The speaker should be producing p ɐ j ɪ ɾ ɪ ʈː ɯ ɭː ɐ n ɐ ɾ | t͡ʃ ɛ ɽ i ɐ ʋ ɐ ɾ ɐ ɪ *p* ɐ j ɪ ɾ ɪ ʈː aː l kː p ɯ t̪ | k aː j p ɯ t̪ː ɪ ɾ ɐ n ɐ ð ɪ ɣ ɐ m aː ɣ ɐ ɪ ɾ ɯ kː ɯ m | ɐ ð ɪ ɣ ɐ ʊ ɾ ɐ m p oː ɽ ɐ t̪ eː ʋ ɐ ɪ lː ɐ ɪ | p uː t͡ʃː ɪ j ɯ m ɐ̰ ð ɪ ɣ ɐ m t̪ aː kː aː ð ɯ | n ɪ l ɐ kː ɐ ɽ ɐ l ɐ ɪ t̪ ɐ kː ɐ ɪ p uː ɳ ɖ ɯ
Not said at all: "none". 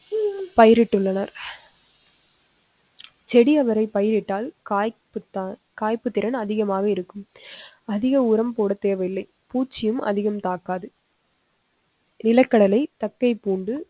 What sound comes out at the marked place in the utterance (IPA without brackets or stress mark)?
p